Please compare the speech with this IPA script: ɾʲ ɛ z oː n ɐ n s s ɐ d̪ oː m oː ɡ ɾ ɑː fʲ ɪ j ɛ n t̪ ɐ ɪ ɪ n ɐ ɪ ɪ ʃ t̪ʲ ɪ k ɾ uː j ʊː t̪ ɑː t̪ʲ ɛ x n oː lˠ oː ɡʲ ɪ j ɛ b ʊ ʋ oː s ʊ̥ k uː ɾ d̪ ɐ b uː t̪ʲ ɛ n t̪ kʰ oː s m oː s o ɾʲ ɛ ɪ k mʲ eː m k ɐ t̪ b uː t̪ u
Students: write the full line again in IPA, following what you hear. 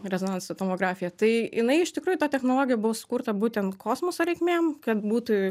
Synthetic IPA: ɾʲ ɛ z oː n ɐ n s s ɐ t̪ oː m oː ɡ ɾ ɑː fʲ ɪ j ɛ t̪ ɐ ɪ ɪ n ɐ ɪ ɪ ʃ t̪ʲ ɪ k ɾ uː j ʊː t̪ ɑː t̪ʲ ɛ x n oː lˠ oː ɡʲ ɪ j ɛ b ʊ ʋ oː s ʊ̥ k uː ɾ t̪ ɐ b uː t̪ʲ ɛ n t̪ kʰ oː s m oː s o ɾʲ ɛ ɪ k mʲ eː m k ɐ t̪ b uː t̪ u